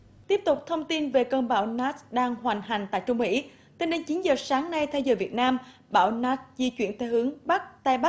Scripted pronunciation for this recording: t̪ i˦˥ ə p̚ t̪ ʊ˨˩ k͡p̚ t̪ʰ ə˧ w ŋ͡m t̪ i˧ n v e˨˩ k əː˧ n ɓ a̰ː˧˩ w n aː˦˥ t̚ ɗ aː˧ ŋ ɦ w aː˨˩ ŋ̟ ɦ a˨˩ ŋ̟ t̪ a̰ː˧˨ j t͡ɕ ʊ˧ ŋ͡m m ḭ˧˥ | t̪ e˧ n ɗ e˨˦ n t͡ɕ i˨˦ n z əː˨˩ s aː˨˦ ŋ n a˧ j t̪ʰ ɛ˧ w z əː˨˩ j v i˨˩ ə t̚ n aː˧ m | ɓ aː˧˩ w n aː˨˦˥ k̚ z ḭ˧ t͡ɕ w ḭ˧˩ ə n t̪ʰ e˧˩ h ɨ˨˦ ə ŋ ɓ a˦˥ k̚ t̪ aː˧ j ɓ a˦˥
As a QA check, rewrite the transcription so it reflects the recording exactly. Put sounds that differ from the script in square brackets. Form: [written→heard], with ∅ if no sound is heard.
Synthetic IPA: t̪ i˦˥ ə p̚ t̪ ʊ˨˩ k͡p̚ t̪ʰ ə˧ w ŋ͡m t̪ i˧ n v e˨˩ k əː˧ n ɓ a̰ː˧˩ w n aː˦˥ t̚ ɗ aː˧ ŋ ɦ w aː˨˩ ŋ̟ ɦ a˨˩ ŋ̟ t̪ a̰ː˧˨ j t͡ɕ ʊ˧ ŋ͡m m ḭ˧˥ | t̪ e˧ n ɗ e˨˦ n t͡ɕ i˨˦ n z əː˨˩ s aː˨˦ ŋ n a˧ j t̪ʰ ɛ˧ w z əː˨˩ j v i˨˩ ə t̚ n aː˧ m | ɓ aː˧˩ w n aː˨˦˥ [k̚→t̚] z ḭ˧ t͡ɕ w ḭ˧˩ ə n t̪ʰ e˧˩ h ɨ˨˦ ə ŋ ɓ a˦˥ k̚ t̪ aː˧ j ɓ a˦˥